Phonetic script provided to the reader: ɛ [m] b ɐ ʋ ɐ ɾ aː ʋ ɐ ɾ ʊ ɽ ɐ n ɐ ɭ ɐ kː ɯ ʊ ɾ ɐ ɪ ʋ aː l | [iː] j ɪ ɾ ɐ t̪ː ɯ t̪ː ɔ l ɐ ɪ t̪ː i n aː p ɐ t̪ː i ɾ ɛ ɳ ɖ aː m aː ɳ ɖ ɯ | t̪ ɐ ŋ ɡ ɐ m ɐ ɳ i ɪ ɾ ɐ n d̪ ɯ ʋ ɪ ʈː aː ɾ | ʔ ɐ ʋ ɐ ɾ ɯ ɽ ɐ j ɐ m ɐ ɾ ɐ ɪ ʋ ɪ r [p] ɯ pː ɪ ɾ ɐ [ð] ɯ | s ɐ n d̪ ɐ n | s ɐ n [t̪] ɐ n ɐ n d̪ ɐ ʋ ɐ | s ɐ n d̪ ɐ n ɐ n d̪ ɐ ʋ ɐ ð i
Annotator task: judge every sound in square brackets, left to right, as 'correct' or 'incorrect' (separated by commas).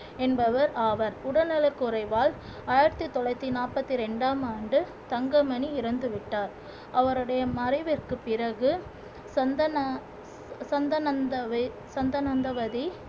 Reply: incorrect, incorrect, incorrect, incorrect, incorrect